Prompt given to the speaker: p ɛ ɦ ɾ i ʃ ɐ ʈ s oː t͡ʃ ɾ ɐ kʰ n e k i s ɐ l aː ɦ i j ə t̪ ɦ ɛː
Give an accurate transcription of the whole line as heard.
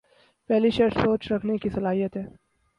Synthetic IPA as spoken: p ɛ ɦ l i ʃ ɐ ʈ s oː t͡ʃ ɾ ɐ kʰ n e k i s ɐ l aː ɦ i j ə t̪ ɦ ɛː